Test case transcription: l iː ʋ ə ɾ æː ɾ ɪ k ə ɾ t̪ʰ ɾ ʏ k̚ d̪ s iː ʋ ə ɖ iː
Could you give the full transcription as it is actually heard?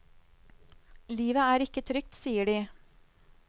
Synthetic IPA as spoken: l iː ʋ ə æː ɾ ɪ k ə t̪ʰ ɾ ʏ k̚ t̪ s iː ə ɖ iː